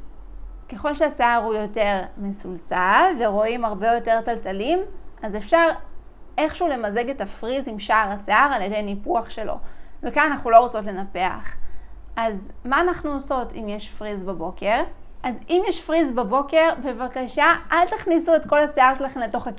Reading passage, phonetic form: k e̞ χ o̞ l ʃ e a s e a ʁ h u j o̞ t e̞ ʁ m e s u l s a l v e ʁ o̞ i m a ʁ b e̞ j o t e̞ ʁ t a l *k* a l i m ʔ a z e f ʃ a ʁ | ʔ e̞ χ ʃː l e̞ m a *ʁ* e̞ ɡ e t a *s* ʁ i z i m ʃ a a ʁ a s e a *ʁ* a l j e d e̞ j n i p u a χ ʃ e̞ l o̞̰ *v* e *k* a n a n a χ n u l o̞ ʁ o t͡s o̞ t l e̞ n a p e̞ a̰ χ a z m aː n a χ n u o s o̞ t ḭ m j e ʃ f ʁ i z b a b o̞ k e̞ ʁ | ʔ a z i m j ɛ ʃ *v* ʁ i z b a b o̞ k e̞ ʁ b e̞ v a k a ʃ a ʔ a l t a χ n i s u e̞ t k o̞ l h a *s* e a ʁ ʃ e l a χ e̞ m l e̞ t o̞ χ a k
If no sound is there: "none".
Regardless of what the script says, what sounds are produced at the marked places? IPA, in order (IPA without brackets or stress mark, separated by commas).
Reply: t, z, f, ʁ, v, k, f, s